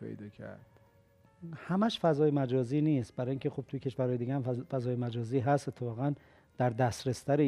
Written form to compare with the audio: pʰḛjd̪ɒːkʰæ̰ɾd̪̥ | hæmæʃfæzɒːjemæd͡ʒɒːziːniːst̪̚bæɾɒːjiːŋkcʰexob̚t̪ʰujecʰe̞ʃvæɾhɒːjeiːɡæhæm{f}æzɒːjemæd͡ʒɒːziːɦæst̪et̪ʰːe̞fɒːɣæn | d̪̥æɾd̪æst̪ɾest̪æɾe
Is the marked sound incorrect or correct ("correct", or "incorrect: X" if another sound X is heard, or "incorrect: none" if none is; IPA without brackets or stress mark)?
correct